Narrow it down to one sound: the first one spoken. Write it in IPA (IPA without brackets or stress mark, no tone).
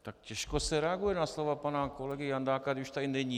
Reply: t̪